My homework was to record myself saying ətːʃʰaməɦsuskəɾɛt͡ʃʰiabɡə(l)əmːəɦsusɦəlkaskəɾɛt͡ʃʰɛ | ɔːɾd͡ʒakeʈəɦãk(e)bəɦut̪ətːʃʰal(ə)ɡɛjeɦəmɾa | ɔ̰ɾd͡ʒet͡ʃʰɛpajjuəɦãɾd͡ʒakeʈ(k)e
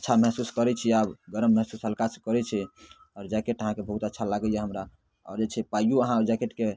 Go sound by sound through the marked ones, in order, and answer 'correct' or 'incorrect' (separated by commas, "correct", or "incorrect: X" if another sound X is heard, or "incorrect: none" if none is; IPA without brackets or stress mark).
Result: incorrect: ɾ, correct, incorrect: a, correct